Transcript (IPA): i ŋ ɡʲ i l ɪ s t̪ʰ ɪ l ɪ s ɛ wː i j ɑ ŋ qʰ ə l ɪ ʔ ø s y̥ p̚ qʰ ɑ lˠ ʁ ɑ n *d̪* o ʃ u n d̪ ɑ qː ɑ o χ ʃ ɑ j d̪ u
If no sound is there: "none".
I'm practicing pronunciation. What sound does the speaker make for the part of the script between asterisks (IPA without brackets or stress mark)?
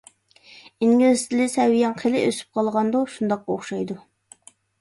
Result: d̪